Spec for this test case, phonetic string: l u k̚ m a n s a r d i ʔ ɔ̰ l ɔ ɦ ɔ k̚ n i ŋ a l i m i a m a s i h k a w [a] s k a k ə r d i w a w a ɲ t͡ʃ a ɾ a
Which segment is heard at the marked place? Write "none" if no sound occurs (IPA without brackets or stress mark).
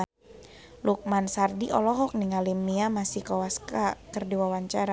a